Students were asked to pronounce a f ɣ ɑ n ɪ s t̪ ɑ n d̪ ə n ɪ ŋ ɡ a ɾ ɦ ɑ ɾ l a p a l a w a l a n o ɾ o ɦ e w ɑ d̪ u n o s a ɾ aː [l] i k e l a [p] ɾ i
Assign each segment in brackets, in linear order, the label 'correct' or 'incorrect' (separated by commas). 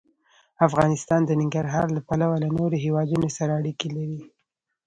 incorrect, incorrect